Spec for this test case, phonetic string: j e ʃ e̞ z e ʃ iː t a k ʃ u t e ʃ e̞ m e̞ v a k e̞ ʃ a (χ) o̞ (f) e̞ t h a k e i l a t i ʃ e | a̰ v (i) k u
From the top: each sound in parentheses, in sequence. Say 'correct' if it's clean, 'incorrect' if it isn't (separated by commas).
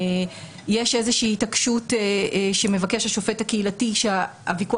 incorrect, correct, correct